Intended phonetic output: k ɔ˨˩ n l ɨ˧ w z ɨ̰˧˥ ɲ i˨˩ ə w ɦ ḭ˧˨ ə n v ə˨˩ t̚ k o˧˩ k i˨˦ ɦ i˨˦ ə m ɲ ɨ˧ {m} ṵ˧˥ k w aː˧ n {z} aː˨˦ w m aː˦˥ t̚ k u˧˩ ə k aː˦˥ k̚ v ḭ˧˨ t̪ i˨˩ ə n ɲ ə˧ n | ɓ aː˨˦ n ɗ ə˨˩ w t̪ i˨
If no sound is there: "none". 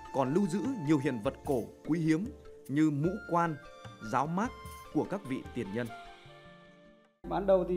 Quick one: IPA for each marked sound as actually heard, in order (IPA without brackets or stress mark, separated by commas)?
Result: m, z